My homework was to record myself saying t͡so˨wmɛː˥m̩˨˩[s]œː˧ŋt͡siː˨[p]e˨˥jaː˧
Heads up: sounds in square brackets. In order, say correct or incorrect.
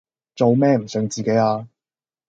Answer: correct, incorrect: k

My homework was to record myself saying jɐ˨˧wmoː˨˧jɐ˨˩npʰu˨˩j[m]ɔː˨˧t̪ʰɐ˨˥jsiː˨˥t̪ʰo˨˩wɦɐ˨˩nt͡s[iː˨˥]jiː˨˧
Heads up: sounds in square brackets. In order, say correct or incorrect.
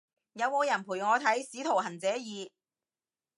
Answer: incorrect: ŋ, incorrect: ɛː˨˥

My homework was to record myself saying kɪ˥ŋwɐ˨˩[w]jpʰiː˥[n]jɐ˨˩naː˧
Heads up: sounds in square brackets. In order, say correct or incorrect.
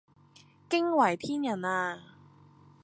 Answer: incorrect: none, correct

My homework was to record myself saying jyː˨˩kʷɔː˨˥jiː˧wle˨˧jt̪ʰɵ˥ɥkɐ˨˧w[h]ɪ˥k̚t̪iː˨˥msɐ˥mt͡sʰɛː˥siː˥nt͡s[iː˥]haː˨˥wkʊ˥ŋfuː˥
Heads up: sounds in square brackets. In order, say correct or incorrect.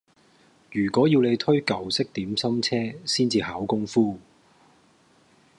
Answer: incorrect: s, incorrect: iː˧

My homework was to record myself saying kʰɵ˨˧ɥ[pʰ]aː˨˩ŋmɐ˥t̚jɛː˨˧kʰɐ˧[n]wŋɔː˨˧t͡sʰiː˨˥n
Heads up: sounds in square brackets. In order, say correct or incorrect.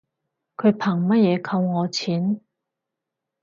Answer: correct, incorrect: none

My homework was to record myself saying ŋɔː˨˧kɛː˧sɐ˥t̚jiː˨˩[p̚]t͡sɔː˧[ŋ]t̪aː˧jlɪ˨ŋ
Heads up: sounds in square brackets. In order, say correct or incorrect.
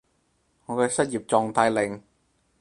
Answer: correct, correct

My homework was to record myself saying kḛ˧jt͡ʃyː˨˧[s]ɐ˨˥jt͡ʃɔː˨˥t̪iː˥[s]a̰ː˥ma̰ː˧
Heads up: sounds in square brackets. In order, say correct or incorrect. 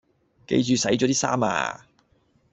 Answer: correct, correct

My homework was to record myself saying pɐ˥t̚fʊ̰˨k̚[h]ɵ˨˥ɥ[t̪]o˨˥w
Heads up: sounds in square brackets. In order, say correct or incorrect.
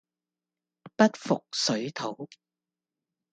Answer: incorrect: s, incorrect: t̪ʰ

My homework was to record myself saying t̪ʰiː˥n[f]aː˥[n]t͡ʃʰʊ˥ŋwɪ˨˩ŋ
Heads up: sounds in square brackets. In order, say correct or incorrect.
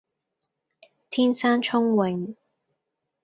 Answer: incorrect: s, correct

